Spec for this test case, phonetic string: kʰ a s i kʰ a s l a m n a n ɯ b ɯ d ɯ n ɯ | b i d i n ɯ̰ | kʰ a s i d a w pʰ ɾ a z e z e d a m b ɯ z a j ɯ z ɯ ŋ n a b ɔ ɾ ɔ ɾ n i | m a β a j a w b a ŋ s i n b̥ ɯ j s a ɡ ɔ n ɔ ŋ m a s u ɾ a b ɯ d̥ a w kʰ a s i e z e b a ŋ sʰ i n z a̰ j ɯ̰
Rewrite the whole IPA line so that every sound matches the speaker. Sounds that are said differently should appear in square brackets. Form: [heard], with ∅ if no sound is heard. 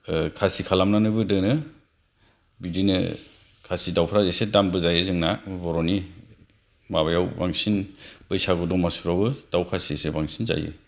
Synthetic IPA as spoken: kʰ a s i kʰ a [∅] l a m n a n ɯ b ɯ d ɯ n ɯ | b i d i n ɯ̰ | kʰ a s i d a w pʰ ɾ a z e [s] e d a m b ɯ z a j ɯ z ɯ ŋ n a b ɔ ɾ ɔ [∅] n i | m a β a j a w b a ŋ s i n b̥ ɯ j s a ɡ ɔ [d] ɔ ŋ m a s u ɾ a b ɯ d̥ a w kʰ a s i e [s] e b a ŋ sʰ i n z a̰ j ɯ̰